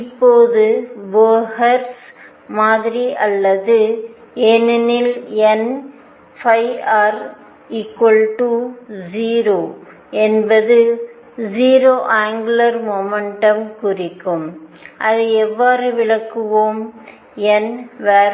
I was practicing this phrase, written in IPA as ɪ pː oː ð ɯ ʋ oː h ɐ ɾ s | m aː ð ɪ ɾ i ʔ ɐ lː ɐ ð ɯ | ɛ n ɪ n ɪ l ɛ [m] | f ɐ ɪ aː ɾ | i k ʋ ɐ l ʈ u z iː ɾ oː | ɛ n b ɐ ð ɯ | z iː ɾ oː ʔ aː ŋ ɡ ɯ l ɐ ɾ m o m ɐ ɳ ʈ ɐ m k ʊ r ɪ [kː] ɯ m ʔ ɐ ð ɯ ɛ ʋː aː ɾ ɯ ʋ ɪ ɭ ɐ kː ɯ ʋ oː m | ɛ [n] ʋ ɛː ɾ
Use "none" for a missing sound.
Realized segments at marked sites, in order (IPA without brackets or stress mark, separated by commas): n, kː, n